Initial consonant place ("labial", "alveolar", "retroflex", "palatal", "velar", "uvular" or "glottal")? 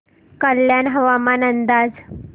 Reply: velar